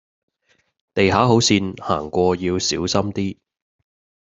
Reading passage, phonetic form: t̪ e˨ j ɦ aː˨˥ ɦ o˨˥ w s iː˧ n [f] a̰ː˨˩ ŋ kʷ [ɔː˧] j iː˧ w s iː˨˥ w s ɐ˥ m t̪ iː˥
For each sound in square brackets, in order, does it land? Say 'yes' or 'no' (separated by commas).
no, yes